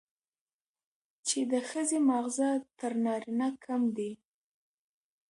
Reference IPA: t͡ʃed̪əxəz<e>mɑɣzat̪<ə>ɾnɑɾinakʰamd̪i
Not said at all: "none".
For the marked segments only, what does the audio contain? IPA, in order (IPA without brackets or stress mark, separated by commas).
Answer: e, ə